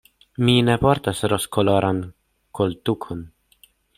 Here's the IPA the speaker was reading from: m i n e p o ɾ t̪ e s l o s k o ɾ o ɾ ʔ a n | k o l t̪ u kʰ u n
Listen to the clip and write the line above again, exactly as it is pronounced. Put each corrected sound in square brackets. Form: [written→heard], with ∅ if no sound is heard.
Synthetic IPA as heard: m i n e p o ɾ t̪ [e→a] s [l→ɾ] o s k o [ɾ→l] o ɾ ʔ a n | k o l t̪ u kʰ [u→o] n